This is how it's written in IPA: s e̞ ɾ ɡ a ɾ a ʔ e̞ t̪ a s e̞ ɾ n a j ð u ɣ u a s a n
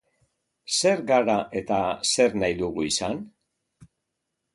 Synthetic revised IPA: s e̞ ɾ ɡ a ɾ a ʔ e̞ t̪ a s e̞ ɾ n a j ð u ɣ u i s a n